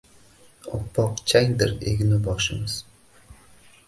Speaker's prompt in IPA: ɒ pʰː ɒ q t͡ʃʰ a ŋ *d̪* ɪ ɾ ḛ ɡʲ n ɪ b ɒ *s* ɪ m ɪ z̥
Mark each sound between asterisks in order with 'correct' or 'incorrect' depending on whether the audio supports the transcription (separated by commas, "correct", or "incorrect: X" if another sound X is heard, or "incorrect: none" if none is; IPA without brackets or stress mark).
correct, incorrect: ʃ